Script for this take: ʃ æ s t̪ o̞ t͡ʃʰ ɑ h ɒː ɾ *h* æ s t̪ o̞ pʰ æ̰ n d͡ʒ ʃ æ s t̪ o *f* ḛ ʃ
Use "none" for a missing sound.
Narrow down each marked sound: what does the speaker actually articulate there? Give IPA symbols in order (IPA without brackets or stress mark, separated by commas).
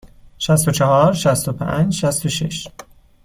ʃ, ʃ